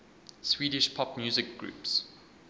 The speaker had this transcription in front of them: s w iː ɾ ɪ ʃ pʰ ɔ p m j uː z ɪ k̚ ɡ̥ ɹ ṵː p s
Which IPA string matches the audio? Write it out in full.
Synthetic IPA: s w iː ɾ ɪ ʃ pʰ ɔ p m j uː z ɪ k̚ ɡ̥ ɹ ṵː p s